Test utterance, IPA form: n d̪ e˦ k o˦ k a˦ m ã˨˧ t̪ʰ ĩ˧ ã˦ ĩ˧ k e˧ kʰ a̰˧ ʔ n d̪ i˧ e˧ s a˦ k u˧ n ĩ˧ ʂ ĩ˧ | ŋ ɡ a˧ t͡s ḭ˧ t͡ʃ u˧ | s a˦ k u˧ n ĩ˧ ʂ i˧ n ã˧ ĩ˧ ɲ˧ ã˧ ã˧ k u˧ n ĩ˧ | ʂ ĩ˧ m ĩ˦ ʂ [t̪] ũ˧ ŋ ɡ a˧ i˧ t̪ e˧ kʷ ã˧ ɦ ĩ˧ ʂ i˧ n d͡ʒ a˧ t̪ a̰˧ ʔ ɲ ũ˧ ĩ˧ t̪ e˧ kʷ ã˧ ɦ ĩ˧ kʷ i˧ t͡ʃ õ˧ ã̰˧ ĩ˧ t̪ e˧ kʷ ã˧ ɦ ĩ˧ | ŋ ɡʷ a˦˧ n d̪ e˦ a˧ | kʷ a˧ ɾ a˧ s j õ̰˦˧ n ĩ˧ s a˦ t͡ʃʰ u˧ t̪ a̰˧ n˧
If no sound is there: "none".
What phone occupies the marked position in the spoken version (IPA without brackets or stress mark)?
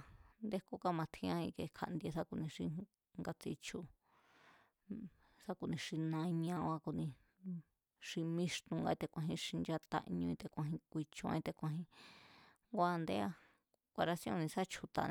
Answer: t̪